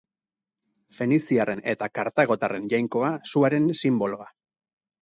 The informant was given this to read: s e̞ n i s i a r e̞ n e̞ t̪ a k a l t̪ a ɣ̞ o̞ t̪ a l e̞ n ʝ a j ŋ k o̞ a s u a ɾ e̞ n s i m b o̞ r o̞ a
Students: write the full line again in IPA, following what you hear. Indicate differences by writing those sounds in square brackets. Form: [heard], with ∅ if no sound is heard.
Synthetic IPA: [f] e̞ n i s i a r e̞ n e̞ t̪ a k a [ɾ] t̪ a ɣ̞ o̞ t̪ a [r] e̞ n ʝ a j ŋ k o̞ a s u a ɾ e̞ n s i m b o̞ [l] o̞ a